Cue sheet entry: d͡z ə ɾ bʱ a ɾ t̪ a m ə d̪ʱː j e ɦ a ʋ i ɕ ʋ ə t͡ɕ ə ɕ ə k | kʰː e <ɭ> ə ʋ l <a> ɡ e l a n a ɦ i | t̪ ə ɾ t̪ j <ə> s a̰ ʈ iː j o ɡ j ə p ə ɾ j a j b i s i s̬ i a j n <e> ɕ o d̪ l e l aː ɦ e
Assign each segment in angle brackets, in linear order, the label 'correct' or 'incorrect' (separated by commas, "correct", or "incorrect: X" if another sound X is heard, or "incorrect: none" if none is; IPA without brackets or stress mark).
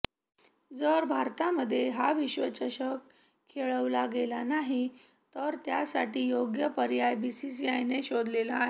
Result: correct, correct, incorrect: a, correct